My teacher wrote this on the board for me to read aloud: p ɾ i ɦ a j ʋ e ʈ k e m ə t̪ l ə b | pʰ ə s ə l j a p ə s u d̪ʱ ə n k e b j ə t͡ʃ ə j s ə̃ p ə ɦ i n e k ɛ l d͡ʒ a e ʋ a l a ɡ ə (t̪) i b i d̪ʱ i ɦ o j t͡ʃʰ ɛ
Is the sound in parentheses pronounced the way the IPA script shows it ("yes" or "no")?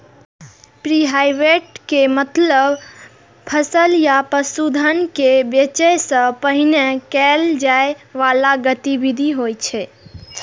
yes